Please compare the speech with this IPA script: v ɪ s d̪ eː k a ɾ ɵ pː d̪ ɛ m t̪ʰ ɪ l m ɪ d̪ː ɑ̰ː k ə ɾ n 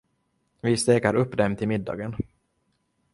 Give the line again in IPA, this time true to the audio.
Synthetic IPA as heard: v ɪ s t̪ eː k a ɾ ɵ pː d̪ ɛ m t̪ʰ ɪ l m ɪ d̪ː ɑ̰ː ɡ ə n